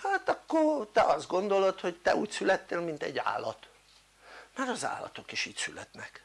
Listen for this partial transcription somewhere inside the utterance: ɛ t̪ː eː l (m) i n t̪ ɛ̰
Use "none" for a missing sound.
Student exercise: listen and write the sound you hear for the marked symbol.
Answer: m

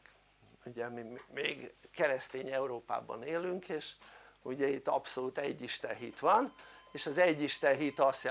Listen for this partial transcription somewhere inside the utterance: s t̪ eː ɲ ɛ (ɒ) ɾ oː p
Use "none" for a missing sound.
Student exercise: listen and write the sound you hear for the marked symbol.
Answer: u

